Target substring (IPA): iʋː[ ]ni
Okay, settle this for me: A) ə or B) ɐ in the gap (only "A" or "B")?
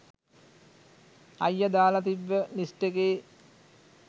A